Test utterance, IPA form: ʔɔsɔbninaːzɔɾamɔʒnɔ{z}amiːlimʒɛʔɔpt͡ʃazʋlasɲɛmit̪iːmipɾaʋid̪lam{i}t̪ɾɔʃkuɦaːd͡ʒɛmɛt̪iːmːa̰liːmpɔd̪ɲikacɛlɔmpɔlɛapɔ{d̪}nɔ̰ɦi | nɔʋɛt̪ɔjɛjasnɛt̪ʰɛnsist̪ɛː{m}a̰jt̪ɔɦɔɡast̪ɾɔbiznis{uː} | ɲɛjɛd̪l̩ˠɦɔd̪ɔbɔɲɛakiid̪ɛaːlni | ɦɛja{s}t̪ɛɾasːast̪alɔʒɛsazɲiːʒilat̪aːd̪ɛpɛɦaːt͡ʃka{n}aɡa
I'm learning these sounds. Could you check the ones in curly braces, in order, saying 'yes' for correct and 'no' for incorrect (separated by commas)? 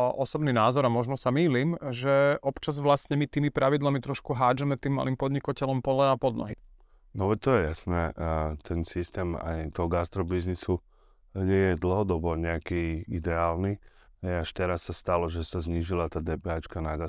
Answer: no, yes, yes, yes, no, no, yes